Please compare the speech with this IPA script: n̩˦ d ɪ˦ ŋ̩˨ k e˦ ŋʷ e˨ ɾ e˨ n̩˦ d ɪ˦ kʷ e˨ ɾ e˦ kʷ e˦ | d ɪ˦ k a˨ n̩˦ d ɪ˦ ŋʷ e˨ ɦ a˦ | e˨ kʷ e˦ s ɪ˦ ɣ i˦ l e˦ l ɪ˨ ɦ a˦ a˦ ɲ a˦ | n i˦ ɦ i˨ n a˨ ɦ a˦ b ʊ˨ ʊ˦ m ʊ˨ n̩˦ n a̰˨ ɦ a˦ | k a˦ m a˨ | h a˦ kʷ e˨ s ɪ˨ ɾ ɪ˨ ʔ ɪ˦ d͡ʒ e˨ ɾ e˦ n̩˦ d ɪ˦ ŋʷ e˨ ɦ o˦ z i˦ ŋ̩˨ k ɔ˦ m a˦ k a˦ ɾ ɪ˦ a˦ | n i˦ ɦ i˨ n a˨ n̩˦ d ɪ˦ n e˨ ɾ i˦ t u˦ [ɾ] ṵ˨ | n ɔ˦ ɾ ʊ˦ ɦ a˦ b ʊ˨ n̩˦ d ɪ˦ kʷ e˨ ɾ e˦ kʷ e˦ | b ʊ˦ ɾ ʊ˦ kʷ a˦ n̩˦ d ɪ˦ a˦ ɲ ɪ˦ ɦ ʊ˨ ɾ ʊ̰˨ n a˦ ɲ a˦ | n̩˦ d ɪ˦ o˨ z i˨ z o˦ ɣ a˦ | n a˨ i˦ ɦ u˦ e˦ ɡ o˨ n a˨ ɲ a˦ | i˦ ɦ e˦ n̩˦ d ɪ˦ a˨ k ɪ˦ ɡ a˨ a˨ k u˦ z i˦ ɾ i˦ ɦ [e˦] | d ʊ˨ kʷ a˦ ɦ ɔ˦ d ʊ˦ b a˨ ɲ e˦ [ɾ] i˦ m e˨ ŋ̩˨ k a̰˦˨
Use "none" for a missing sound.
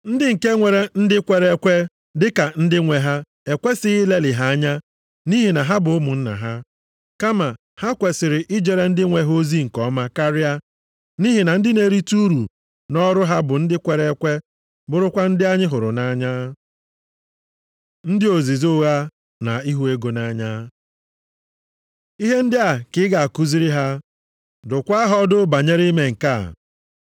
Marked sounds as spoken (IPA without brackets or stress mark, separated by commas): ɾ, a˦, ɾ